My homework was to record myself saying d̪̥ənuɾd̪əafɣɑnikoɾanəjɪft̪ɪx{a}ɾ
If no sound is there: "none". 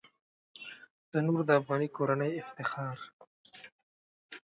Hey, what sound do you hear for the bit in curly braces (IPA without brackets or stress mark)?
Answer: ɑ